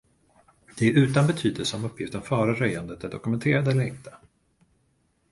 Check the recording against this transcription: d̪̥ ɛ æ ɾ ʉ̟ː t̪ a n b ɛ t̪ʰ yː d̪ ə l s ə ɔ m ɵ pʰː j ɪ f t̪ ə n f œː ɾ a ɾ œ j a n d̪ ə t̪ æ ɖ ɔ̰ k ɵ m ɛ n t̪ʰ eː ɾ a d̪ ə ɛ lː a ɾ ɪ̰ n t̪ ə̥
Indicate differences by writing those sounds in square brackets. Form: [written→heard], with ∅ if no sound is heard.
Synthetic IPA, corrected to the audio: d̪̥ ɛ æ ɾ ʉ̟ː t̪ a n b ɛ t̪ʰ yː d̪ ə l s ə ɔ m ɵ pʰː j ɪ f t̪ ə n f œː ɾ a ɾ œ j a n d̪ ə t̪ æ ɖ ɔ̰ k ɵ m ɛ n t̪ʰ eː ɾ a d̪ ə ɛ lː [a→ə] ɾ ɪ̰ n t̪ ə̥